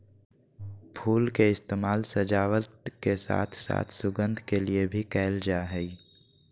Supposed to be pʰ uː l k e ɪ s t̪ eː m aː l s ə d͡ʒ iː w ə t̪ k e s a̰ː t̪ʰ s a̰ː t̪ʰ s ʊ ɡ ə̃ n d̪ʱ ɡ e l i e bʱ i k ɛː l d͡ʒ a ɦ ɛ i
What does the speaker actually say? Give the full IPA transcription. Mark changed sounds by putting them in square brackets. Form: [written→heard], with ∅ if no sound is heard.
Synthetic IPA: pʰ uː l k e ɪ s t̪ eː m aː l s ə d͡ʒ [iː→aː] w ə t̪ k e s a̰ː t̪ʰ s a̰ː t̪ʰ s ʊ ɡ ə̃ n d̪ʱ [ɡ→k] e l i e bʱ i k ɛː l d͡ʒ a ɦ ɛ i